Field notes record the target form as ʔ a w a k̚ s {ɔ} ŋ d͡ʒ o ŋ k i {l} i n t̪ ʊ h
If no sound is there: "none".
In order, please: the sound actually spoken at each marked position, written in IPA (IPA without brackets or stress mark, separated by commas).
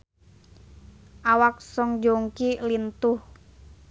ɔ, l